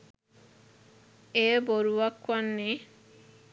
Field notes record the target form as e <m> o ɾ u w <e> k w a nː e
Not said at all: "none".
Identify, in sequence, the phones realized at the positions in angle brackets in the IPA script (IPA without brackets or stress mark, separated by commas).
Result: b, a